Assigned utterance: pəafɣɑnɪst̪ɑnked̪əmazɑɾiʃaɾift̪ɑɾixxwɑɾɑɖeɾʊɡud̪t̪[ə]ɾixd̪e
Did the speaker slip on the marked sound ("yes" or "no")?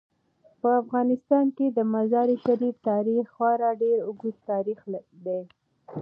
yes